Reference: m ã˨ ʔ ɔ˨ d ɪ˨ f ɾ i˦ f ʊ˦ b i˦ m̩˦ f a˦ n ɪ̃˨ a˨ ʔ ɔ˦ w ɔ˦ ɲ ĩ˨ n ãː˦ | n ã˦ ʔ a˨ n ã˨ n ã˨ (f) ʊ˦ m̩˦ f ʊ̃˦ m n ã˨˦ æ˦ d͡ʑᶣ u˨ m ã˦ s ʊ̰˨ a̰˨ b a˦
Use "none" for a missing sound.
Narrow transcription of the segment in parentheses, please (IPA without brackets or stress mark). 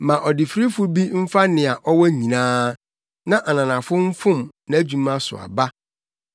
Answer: f